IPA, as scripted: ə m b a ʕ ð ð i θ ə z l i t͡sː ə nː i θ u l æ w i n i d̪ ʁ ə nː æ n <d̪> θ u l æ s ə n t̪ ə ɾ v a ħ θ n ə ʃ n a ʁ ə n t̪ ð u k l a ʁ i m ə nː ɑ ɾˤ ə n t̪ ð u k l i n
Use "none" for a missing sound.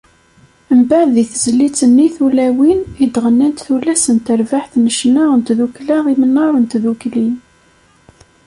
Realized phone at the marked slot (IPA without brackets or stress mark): t̪